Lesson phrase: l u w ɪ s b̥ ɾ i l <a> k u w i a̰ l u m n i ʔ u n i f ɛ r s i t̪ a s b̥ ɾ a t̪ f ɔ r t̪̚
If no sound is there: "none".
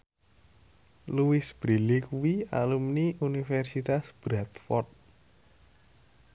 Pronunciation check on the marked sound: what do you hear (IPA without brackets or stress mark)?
i